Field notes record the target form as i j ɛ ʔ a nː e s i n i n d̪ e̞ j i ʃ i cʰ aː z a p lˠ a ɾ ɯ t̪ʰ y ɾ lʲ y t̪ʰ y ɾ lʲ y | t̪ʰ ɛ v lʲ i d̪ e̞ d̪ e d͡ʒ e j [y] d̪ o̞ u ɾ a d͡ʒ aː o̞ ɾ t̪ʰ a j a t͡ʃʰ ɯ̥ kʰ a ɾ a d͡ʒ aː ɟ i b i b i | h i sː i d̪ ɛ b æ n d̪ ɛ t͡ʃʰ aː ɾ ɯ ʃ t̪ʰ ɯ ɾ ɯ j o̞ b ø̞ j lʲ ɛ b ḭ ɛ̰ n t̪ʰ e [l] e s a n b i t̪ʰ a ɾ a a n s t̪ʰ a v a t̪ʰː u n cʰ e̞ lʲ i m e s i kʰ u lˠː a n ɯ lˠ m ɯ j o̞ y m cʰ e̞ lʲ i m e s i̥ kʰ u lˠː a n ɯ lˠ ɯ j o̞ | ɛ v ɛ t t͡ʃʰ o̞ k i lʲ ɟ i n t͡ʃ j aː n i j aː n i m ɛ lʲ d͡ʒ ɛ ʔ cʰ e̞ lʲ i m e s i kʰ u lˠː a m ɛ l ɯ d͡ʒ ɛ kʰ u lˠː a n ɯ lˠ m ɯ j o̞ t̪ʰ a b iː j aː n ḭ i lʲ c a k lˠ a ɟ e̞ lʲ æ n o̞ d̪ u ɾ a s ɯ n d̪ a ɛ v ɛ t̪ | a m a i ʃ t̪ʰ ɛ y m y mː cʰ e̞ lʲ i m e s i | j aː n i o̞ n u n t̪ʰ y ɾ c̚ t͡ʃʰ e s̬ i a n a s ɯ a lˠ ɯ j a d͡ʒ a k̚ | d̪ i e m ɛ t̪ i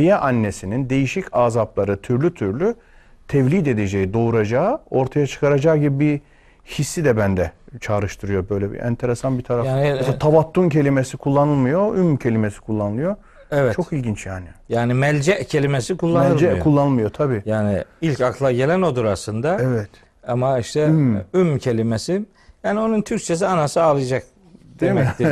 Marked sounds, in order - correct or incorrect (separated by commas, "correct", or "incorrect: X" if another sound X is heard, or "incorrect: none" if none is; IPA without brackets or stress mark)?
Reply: incorrect: i, incorrect: ɾ